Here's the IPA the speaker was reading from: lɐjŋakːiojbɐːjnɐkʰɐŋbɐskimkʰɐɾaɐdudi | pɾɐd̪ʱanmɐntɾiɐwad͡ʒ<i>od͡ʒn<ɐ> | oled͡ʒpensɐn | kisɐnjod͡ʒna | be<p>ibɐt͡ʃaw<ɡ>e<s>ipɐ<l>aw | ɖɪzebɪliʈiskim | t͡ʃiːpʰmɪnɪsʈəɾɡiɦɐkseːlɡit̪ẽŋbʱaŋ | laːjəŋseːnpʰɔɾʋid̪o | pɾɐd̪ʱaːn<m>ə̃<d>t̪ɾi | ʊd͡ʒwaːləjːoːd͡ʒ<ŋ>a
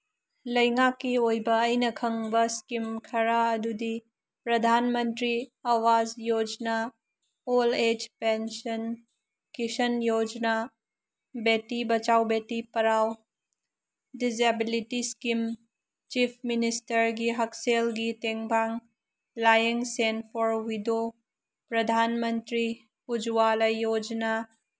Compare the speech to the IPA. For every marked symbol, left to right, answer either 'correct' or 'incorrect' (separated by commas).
incorrect, incorrect, incorrect, incorrect, incorrect, incorrect, correct, incorrect, incorrect